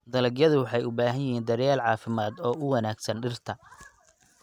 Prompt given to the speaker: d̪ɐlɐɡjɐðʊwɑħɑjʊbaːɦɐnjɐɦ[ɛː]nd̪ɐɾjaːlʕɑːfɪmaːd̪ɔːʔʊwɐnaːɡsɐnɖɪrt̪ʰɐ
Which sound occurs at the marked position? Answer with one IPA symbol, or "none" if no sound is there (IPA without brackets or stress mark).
iː